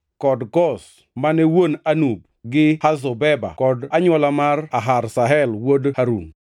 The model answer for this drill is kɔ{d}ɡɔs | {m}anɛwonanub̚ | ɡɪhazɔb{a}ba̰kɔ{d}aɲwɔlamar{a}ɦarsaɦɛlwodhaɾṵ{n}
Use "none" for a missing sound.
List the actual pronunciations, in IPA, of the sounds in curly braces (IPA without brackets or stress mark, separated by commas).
d, m, ɛ, d, a, ŋ